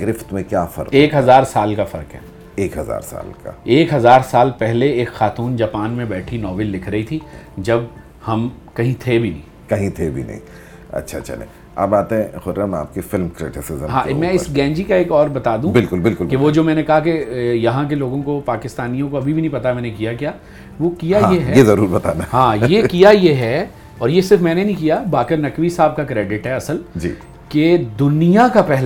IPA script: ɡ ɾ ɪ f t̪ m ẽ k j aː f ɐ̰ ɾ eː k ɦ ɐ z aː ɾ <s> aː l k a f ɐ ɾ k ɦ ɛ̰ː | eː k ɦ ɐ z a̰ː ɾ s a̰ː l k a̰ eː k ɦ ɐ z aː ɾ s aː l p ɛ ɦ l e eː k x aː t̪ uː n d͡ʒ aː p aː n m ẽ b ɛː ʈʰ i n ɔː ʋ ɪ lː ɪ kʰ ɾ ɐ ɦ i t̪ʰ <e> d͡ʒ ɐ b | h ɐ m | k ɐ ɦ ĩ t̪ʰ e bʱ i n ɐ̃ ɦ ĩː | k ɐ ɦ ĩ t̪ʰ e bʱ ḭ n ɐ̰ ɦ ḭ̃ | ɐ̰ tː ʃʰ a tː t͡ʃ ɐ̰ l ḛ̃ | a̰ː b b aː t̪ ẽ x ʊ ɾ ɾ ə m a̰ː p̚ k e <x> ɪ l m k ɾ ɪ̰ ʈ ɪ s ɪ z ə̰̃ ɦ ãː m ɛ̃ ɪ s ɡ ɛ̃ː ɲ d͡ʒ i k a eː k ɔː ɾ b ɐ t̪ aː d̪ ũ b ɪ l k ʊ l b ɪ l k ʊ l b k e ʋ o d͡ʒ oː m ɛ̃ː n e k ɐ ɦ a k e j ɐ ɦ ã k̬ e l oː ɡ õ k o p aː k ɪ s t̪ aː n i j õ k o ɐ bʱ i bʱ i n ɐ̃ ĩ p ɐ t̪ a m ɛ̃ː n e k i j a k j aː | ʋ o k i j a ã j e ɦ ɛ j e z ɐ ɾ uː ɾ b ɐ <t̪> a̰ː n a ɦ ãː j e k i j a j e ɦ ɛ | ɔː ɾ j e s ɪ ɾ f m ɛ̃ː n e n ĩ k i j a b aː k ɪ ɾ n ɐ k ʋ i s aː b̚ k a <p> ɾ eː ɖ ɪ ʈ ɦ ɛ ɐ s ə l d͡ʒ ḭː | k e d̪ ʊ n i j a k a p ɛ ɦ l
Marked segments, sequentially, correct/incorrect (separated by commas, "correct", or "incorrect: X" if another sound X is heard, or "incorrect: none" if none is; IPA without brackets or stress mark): correct, incorrect: i, incorrect: f, correct, incorrect: k